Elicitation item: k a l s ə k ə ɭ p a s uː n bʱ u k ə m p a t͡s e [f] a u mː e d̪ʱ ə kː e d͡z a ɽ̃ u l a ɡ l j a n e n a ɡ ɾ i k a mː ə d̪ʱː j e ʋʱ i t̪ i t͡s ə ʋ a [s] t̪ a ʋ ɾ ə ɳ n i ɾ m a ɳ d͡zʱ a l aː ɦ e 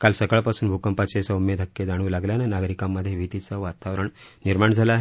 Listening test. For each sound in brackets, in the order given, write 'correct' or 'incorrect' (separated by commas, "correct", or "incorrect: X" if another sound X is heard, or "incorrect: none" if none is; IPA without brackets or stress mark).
incorrect: s, incorrect: none